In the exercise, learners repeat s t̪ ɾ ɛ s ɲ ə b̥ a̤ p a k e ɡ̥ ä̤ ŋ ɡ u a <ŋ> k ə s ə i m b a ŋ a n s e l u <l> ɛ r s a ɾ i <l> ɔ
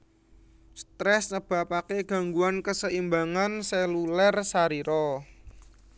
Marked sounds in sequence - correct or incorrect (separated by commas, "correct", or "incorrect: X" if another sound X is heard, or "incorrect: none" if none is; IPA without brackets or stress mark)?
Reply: incorrect: n, correct, incorrect: ɾ